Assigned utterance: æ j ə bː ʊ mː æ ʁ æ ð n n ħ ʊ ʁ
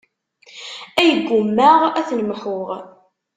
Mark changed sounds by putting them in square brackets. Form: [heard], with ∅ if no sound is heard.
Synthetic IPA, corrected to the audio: æ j ə [ɡː] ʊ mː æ ʁ æ [θ] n [m] ħ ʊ ʁ